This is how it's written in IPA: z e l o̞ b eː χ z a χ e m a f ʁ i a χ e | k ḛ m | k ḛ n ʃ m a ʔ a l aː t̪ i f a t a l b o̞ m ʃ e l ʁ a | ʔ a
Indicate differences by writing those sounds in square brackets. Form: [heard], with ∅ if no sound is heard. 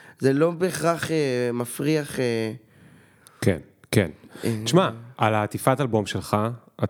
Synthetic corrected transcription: z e l o̞ b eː χ [ʁ] a χ e m a f ʁ i a χ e | k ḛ [n] | k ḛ n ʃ m a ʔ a l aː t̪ i f a t a l b o̞ m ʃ e l [χ] a | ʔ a